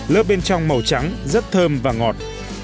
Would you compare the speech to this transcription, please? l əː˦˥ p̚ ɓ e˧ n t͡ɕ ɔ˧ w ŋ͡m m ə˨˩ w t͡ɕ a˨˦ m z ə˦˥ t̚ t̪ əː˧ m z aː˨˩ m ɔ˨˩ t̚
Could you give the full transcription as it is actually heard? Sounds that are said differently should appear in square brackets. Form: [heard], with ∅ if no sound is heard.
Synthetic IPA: l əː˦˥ p̚ ɓ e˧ n t͡ɕ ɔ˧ w ŋ͡m m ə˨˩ w t͡ɕ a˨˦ [ŋ] z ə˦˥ t̚ [t̪ʰ] əː˧ m [v] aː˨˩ [ŋ] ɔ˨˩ t̚